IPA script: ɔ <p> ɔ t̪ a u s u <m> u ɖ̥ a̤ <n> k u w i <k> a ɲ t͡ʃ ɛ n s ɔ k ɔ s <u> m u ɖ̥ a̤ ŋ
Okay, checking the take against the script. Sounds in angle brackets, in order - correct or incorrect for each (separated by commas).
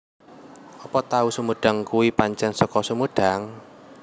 correct, correct, incorrect, incorrect, correct